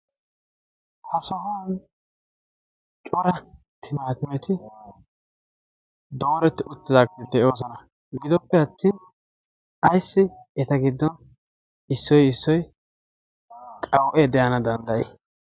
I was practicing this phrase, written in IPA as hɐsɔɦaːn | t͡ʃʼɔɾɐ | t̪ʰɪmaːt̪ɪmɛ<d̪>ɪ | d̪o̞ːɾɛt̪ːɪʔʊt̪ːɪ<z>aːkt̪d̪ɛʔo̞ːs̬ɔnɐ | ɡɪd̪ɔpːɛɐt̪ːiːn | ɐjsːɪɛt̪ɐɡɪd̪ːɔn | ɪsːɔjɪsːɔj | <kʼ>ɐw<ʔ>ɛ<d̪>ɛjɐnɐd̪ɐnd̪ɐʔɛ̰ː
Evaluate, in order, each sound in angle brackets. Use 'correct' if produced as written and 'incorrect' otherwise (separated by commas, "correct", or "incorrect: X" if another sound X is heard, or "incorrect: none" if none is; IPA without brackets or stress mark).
incorrect: t̪, correct, correct, correct, correct